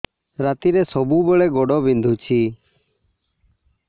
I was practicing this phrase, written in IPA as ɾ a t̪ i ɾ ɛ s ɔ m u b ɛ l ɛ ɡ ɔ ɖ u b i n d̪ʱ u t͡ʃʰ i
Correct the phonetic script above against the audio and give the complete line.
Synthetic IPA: ɾ a t̪ i ɾ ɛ s ɔ b u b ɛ ɭ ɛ ɡ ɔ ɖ ɔ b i n d̪ʱ u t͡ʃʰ i